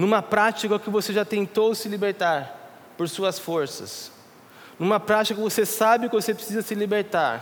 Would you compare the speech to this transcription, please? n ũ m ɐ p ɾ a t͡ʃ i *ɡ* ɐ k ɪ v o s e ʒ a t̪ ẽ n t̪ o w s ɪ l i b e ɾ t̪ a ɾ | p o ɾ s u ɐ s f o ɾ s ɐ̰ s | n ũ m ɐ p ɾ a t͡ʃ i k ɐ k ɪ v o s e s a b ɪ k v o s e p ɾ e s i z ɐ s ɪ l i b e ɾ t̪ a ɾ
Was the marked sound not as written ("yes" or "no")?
yes